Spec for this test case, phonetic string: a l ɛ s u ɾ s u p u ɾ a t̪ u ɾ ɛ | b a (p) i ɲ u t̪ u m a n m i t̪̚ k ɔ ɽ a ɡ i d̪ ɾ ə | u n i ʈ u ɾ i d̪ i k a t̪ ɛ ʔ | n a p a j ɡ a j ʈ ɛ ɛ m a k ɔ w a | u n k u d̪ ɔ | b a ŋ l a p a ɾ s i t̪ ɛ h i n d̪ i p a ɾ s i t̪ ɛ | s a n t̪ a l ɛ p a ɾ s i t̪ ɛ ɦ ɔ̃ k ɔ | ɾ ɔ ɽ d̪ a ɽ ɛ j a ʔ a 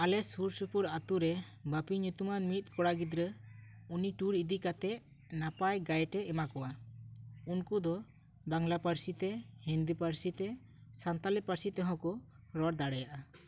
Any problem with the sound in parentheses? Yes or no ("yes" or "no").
no